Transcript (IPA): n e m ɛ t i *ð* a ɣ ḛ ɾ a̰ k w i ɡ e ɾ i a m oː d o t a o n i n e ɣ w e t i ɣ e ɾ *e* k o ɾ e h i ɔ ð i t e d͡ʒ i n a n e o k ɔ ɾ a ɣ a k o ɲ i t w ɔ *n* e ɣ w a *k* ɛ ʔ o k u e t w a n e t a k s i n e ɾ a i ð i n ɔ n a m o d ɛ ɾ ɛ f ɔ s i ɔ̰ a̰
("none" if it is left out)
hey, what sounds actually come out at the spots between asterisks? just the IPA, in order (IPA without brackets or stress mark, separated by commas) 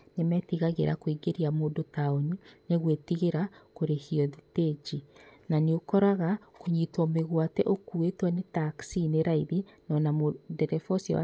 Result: ɣ, a, m, t